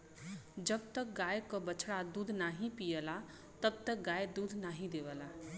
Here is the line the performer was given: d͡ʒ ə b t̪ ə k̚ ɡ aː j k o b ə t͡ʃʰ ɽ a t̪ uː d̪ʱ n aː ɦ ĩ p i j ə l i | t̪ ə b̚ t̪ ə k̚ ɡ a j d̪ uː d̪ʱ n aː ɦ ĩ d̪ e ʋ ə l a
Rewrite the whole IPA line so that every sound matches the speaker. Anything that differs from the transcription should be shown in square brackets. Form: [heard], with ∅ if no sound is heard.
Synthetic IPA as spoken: d͡ʒ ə b t̪ ə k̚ ɡ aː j k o b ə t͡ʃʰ ɽ a [d̪] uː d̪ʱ n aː ɦ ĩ p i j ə l [a] | t̪ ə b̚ t̪ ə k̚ ɡ a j d̪ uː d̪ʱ n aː ɦ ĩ d̪ e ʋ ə l a